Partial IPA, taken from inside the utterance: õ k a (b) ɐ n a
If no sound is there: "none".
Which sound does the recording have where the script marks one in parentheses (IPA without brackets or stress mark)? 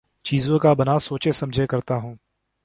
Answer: b